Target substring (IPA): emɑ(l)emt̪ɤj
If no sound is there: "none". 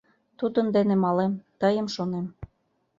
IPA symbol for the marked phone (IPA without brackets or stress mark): l